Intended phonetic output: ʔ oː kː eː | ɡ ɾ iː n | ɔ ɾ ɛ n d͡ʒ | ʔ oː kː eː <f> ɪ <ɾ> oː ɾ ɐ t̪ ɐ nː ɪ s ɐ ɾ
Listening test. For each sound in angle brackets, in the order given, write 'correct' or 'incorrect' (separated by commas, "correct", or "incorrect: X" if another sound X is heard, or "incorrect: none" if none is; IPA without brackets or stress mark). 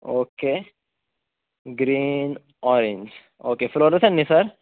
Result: correct, incorrect: l